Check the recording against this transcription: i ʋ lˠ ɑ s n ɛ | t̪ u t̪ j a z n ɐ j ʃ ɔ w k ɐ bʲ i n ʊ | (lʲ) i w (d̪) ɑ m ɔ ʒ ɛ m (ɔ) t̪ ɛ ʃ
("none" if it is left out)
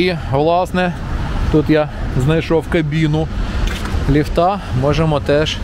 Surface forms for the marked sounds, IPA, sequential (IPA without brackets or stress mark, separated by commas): lʲ, t̪, ɔ